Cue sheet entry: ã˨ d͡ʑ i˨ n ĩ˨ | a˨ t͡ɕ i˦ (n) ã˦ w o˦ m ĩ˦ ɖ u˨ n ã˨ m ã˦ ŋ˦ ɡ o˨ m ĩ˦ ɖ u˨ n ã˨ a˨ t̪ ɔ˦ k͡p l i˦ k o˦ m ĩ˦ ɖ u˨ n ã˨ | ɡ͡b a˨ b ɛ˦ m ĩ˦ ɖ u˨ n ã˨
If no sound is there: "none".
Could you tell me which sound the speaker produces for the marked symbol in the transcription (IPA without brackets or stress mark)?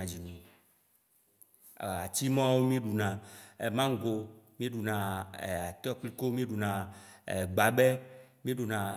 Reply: m